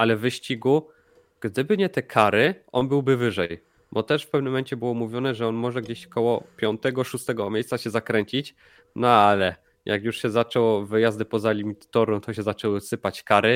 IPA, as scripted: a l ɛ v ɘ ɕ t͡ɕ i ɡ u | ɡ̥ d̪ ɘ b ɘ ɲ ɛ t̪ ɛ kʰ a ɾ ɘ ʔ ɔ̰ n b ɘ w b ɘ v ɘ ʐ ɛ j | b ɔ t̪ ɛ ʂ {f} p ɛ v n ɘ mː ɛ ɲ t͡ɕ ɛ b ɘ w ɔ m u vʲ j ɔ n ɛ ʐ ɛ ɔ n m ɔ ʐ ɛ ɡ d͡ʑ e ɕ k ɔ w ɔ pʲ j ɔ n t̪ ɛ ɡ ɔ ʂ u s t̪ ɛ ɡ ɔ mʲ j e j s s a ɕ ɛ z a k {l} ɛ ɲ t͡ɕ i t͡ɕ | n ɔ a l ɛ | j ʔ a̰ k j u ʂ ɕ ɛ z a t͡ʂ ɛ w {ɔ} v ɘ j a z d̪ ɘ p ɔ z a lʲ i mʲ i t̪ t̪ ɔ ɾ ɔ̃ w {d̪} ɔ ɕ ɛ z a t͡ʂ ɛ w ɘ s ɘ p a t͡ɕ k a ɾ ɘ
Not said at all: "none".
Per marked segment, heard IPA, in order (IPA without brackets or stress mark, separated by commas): f, ɾ, ɔ, t̪